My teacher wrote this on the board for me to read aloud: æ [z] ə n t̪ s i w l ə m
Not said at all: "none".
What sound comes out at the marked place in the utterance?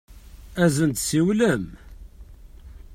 z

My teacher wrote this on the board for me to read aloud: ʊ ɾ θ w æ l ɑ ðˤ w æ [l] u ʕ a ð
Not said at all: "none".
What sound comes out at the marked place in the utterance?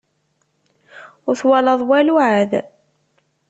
l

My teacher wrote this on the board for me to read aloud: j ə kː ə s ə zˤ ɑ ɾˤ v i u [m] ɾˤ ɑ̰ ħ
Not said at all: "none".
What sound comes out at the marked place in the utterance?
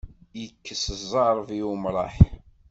m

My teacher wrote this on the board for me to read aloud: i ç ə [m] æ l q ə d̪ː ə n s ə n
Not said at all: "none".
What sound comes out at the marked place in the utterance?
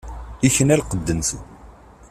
n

